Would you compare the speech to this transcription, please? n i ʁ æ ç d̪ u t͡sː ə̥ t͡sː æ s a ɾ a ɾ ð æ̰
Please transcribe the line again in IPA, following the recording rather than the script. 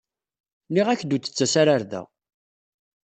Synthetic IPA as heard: n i ʁ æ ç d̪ u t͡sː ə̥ t͡sː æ s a ɾ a ɾ ð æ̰